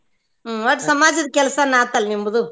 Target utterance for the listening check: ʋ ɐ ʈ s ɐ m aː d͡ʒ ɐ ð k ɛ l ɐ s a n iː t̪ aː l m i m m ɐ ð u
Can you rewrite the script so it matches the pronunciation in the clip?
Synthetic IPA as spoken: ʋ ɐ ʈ s ɐ m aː d͡ʒ ɐ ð k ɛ l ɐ s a n aː t̪ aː l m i m b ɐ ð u